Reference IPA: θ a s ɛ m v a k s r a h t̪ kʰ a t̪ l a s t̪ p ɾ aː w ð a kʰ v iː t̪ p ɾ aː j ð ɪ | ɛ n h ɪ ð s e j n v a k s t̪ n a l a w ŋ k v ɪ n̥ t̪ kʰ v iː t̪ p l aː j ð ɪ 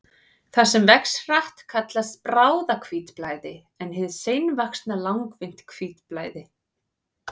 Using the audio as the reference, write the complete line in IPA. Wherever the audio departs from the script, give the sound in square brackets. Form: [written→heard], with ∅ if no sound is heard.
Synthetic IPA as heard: θ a s ɛ m v [a→ɛ] k s r a h t̪ kʰ a t̪ l a s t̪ p ɾ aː w ð a kʰ v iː t̪ p [ɾ→l] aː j ð ɪ | ɛ n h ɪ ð s e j n v a k s t̪ n a l a w ŋ k v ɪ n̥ t̪ kʰ v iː t̪ p l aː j ð ɪ